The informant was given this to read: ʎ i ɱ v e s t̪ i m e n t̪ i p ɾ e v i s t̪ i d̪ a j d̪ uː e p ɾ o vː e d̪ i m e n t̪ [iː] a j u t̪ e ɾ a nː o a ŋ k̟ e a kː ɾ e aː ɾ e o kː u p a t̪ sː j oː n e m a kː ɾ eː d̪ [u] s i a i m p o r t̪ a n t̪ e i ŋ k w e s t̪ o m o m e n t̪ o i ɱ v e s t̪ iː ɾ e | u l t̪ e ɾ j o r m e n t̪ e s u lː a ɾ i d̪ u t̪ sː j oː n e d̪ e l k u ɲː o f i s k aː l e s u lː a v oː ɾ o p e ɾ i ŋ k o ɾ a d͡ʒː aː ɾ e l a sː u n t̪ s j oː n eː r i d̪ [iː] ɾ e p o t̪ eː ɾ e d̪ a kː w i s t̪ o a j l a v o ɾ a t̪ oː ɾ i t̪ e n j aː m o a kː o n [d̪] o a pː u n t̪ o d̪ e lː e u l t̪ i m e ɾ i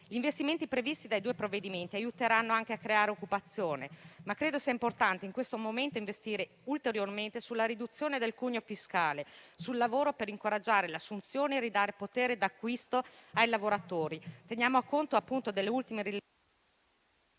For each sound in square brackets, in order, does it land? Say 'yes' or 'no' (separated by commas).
no, no, no, no